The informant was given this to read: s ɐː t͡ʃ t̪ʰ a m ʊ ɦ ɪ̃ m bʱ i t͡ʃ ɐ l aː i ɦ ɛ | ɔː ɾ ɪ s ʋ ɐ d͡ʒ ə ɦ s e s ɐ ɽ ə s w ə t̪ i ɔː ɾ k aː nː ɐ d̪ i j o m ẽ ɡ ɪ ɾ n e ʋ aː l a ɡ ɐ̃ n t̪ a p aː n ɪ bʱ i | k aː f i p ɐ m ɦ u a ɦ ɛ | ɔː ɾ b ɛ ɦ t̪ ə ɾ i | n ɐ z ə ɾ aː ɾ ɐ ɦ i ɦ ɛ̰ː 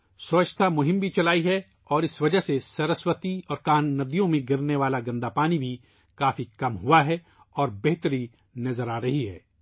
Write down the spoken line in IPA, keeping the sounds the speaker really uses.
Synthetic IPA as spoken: s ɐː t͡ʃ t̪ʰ a m ʊ ɦ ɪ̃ m bʱ i t͡ʃ ɐ l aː i ɦ ɛ | ɔː ɾ ɪ s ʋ ɐ d͡ʒ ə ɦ s e s ɐ ɾ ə s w ə t̪ i ɔː ɾ k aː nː ɐ d̪ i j õ m ẽ ɡ ɪ ɾ n e ʋ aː l a ɡ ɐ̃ n d̪ a p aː n i bʱ i | k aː f i k ɐ m ɦ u a ɦ ɛ | ɔː ɾ b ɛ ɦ t̪ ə ɾ i | n ɐ z ə ɾ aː ɾ ɐ ɦ i ɦ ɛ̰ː

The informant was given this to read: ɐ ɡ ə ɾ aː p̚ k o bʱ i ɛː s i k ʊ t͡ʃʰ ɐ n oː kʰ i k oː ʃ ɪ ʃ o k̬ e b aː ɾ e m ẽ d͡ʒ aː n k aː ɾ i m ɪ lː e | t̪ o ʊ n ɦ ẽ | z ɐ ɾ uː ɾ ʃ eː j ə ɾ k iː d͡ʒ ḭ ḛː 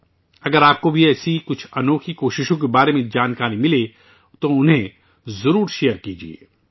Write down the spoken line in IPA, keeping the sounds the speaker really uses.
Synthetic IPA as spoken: ɐ ɡ ə ɾ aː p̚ k o bʱ i ɛː s i k ʊ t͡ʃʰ ɐ n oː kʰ i k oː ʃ ɪ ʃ õ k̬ e b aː ɾ e m ẽ d͡ʒ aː n k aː ɾ i m ɪ l e | t̪ o ʊ n ɦ ẽ | z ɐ ɾ uː ɾ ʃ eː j ə ɾ k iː d͡ʒ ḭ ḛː

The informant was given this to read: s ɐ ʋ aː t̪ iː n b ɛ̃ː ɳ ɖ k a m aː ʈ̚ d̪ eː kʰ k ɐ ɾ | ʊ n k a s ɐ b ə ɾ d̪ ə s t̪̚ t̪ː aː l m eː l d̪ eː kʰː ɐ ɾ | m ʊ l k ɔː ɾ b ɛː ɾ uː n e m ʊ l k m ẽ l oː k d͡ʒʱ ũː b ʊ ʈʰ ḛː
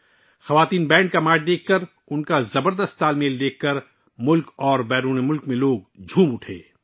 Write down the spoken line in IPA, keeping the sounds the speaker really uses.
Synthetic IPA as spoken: x ɐ ʋ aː t̪ iː n b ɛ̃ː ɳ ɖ k a m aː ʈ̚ d̪ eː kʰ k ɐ ɾ | ʊ n k a z ɐ b ə ɾ d̪ ə s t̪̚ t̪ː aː l m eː l d̪ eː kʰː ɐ ɾ | m ʊ l k ɔː ɾ b ɛː ɾ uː n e m ʊ l k m ẽ l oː ɡ d͡ʒʱ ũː m ʊ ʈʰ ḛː

